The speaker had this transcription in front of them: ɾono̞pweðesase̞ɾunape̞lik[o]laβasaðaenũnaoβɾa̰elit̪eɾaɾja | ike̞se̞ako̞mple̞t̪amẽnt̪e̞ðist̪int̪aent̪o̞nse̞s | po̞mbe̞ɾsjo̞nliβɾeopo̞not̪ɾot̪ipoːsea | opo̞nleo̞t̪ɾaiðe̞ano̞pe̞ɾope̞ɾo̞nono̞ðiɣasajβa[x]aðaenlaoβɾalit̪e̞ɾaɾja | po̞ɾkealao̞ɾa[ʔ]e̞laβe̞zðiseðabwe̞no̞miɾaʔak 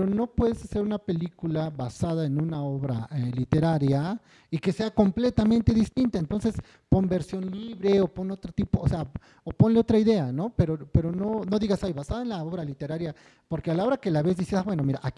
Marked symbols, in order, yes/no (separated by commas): no, no, no